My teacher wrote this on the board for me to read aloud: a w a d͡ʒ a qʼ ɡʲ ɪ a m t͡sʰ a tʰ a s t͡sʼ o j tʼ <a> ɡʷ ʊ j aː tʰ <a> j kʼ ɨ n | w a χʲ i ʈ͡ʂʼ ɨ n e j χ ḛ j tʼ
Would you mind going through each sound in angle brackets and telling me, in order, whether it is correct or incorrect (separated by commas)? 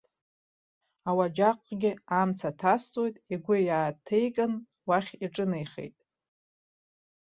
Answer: incorrect, incorrect